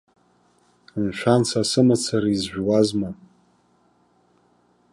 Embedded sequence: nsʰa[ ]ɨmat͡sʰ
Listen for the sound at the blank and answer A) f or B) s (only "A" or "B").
B